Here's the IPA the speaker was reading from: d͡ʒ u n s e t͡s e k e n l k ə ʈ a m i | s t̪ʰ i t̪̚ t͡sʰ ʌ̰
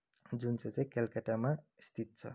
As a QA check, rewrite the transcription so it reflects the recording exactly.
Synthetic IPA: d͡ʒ u n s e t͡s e k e l k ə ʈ a m a | s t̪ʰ i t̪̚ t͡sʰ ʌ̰